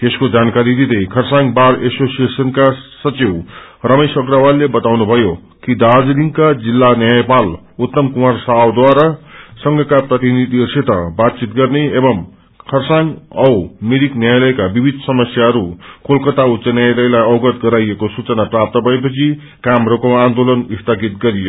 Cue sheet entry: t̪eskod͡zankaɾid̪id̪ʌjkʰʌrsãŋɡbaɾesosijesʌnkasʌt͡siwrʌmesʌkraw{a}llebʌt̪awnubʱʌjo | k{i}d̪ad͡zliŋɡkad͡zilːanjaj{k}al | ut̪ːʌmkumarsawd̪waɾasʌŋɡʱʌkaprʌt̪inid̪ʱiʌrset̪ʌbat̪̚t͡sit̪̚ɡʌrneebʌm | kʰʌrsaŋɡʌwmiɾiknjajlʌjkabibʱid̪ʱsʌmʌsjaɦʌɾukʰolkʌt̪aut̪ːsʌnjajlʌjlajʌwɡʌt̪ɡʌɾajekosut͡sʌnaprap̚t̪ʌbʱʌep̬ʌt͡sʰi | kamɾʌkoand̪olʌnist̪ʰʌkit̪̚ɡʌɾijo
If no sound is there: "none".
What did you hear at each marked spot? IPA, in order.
a, i, p

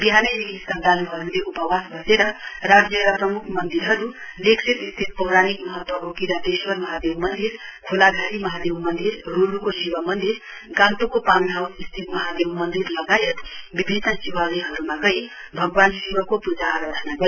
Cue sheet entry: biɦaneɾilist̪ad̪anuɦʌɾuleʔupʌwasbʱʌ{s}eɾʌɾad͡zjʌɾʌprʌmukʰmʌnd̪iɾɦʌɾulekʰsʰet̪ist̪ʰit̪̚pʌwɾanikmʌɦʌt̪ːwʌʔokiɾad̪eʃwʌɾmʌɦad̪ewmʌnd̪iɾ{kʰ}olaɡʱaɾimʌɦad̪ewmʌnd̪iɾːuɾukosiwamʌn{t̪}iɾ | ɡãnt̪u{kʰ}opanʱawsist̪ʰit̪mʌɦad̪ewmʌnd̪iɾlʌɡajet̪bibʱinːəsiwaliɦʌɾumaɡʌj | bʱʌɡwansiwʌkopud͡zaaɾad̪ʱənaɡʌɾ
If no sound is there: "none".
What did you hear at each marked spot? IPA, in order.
s, kʰ, d̪, k

